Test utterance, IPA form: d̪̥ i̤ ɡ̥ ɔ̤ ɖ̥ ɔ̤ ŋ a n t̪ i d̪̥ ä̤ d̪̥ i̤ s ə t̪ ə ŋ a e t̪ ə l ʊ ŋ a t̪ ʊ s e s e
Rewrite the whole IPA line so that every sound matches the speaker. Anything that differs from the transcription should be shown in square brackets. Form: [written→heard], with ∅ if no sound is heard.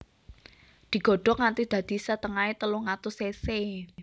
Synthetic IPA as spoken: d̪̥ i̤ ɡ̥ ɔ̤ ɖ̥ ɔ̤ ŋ a n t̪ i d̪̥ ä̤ d̪̥ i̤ s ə t̪ ə ŋ a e t̪ ə l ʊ ŋ a t̪ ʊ s e s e